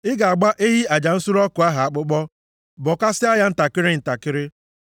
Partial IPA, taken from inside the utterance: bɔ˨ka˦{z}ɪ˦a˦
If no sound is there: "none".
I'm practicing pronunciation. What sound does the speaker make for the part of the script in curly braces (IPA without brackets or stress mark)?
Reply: s